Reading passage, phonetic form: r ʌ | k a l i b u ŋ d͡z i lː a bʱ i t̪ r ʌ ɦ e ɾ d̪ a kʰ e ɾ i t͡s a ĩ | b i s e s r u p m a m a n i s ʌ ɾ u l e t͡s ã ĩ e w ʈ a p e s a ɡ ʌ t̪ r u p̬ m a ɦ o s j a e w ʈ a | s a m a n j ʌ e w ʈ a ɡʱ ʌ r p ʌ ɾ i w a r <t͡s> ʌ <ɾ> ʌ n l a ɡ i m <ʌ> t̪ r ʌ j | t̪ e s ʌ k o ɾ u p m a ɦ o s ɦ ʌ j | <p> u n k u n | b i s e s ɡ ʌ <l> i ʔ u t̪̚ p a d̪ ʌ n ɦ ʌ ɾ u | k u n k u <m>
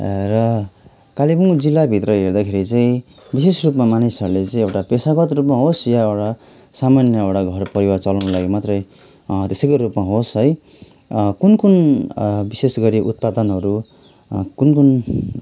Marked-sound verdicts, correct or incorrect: correct, incorrect: l, incorrect: a, incorrect: k, incorrect: ɾ, incorrect: n

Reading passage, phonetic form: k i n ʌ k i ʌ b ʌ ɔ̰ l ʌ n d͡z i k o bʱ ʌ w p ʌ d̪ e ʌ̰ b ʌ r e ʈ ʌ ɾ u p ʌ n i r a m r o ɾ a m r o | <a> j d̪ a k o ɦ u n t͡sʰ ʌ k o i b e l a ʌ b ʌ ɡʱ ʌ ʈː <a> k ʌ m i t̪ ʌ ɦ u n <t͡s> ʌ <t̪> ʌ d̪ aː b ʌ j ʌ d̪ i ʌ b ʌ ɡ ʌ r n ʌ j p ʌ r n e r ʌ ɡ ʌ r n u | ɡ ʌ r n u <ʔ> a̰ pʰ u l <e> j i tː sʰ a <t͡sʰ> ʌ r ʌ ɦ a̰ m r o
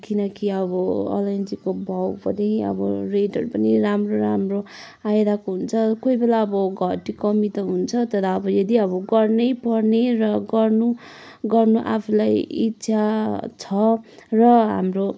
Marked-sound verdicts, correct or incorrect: correct, incorrect: i, incorrect: t͡sʰ, correct, correct, incorrect: a, correct

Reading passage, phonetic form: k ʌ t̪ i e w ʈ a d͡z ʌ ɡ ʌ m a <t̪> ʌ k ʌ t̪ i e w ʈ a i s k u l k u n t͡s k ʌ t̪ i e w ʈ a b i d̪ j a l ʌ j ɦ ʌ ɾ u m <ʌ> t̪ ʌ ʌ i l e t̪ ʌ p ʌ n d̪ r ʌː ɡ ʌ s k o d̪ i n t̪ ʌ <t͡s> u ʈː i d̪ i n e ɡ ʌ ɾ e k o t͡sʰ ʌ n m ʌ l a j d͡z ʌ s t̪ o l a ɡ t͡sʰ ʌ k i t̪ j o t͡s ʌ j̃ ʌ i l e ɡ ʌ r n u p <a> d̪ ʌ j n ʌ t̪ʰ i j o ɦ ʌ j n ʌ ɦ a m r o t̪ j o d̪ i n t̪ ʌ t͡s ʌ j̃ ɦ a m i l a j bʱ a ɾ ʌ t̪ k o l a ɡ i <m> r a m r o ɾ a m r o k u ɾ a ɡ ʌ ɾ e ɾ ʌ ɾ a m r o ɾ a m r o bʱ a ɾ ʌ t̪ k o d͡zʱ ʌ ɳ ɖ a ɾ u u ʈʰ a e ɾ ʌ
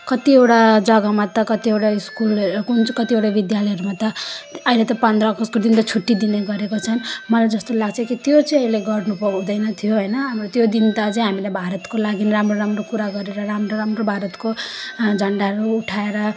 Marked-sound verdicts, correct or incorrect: correct, incorrect: a, incorrect: t͡sʰ, incorrect: ʌ, incorrect: n

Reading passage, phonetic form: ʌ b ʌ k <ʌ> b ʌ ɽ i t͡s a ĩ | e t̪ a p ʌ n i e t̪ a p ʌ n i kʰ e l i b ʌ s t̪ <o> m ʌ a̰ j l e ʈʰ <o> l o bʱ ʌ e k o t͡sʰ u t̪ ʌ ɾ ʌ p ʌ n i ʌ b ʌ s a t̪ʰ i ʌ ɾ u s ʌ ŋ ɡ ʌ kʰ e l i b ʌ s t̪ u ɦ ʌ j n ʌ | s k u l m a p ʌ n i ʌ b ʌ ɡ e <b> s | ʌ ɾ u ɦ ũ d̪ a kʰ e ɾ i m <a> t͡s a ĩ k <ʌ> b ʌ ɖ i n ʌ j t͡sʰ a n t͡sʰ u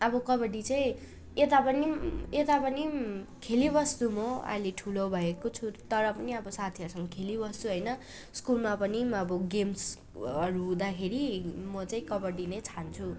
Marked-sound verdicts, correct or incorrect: correct, incorrect: u, incorrect: u, incorrect: m, incorrect: ʌ, correct

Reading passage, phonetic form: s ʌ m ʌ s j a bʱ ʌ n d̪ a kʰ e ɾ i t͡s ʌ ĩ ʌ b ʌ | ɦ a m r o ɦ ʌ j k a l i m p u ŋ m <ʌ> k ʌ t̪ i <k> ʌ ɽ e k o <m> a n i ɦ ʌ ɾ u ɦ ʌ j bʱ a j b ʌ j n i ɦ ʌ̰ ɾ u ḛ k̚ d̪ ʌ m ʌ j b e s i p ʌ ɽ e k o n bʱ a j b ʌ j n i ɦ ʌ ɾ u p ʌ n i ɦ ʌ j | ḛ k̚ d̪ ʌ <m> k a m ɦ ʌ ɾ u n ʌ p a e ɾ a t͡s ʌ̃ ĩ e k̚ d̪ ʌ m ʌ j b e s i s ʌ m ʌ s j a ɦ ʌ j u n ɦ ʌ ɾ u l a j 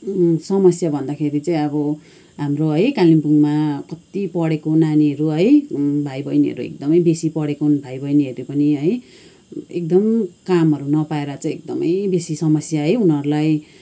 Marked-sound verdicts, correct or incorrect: incorrect: a, incorrect: p, incorrect: n, correct

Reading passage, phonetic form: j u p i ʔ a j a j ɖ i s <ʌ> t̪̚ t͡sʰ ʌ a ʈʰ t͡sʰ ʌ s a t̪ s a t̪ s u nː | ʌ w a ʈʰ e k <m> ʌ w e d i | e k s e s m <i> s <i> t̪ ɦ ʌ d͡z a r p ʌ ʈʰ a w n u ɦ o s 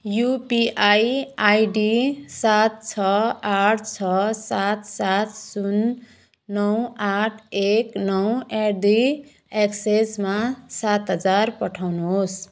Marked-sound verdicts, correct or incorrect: incorrect: a, incorrect: n, incorrect: a, incorrect: a

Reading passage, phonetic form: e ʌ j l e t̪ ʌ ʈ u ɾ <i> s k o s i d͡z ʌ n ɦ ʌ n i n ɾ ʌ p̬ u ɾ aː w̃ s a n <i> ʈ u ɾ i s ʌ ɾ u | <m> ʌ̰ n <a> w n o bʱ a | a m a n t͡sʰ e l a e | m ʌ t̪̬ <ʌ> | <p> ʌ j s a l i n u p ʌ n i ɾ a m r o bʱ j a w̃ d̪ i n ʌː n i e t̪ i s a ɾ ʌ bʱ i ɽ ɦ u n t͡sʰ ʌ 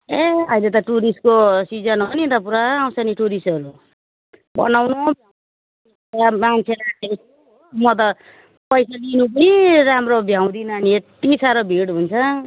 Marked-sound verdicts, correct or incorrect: correct, correct, incorrect: b, correct, correct, correct

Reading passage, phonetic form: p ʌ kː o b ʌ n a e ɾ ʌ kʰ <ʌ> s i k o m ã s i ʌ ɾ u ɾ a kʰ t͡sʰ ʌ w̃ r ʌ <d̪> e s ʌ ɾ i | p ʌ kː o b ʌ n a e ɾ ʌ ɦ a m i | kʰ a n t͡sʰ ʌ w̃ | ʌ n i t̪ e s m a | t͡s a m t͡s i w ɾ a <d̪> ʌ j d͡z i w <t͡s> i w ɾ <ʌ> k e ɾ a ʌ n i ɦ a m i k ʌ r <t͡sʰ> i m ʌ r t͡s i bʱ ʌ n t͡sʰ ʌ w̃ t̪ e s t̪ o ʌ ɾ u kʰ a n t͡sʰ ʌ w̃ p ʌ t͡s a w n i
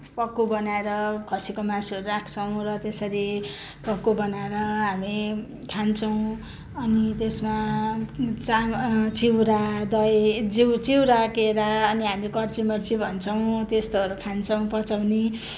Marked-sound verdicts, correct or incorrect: correct, incorrect: t̪, correct, correct, incorrect: a, incorrect: t͡s

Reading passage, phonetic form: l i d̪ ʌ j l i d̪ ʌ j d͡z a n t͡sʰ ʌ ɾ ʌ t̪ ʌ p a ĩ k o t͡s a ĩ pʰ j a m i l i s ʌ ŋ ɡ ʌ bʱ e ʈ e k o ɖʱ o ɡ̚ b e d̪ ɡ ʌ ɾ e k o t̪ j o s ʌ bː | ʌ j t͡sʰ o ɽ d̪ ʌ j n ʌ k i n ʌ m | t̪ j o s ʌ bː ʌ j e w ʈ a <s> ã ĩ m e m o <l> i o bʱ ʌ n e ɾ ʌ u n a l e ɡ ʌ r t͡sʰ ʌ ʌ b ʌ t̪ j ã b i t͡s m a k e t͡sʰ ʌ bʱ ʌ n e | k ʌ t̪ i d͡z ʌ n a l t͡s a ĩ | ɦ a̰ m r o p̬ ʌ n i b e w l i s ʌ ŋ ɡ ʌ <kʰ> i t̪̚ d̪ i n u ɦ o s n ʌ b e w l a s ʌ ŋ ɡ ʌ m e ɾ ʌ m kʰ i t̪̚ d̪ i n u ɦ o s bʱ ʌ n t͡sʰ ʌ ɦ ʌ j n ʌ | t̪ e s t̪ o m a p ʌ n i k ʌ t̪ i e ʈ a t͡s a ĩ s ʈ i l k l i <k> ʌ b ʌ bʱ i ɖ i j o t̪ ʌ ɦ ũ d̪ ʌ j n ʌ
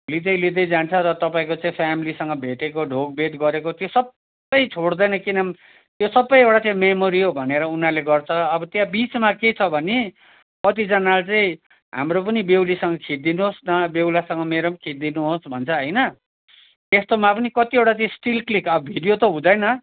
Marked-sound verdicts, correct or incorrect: incorrect: t͡s, incorrect: ɾ, correct, correct

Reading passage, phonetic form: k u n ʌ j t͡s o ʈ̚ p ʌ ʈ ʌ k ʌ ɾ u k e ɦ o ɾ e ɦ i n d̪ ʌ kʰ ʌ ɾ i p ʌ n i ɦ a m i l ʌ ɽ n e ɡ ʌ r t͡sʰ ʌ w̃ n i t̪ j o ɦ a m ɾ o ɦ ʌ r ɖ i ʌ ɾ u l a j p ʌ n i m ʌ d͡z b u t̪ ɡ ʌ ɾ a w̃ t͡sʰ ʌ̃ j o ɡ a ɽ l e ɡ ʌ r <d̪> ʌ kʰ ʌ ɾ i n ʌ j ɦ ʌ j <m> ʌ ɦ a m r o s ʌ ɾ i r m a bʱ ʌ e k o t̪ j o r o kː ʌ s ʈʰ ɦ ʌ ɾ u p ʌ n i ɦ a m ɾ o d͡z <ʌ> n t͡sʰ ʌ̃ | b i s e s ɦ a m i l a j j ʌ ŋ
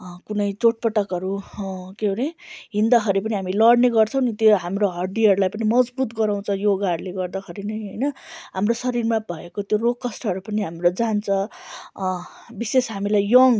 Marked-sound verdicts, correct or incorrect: correct, incorrect: n, incorrect: a

